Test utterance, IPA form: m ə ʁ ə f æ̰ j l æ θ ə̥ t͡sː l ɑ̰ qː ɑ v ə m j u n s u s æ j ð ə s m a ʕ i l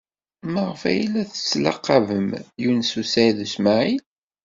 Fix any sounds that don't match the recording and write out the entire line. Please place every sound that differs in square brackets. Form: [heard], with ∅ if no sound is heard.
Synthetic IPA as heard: m ə ʁ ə f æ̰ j l æ θ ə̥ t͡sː l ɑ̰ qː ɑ v ə m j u n s u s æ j ð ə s m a ʕ i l